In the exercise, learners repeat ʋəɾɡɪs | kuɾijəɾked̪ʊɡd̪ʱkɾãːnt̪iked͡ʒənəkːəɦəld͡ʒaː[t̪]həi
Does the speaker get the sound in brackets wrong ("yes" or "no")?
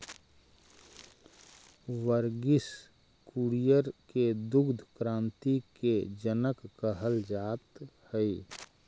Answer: no